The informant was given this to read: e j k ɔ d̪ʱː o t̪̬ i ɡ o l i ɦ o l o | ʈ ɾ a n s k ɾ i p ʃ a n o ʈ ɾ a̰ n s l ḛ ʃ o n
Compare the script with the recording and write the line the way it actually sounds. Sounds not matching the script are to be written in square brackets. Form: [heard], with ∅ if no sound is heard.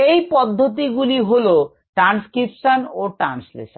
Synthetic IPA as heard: e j [p] ɔ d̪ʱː o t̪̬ i ɡ [u] l i ɦ o l o | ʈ ɾ a n s k ɾ i p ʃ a n o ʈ ɾ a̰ n s l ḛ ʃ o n